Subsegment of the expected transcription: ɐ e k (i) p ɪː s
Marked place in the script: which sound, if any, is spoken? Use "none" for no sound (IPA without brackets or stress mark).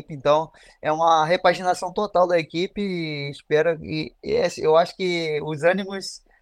i